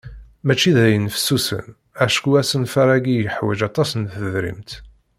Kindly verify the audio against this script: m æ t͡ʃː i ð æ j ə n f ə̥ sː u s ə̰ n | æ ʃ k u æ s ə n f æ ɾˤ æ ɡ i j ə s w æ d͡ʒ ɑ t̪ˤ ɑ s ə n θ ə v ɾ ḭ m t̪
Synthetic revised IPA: m æ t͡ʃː i ð æ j ə n f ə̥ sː u s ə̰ n | æ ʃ k u æ s ə n f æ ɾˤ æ ɡ i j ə ħ w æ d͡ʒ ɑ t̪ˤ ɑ s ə n θ ə ð ɾ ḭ m t̪